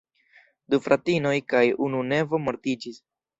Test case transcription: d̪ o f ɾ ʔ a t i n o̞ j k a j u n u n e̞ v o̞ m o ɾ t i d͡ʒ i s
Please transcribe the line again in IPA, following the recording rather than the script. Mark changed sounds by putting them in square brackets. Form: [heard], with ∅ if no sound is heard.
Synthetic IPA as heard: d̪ [u] f ɾ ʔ a t i n o̞ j k a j u n u n e̞ v o̞ m o ɾ t i d͡ʒ i s